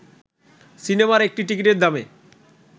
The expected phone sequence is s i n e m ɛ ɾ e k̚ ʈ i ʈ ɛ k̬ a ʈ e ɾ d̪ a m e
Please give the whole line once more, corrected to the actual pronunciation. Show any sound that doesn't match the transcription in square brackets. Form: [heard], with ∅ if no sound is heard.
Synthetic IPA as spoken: s i n e m [a] ɾ e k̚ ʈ i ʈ [i] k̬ [i] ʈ e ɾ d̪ a m e